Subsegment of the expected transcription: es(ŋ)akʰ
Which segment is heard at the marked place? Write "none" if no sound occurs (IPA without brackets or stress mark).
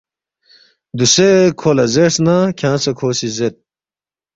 n